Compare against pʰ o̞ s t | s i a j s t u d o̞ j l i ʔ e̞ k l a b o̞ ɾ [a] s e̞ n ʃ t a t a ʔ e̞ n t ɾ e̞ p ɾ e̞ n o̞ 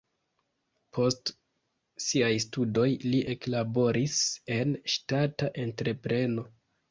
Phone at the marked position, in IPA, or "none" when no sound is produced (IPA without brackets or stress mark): i